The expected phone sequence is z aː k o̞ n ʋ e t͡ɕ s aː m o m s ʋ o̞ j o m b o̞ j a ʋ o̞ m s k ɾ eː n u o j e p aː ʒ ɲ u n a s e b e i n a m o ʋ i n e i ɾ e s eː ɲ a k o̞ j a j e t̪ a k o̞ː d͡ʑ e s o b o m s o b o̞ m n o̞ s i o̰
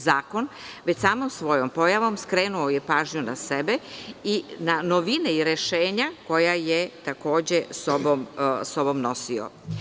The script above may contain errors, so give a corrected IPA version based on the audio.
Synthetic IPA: z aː k o̞ n ʋ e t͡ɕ s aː m o m s ʋ o̞ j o m p o̞ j a ʋ o̞ m s k ɾ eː n u o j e p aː ʒ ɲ u n a s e b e i n a n o ʋ i n e i ɾ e ʃ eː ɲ a k o̞ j a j e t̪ a k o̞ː d͡ʑ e s o b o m s o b o̞ m n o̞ s i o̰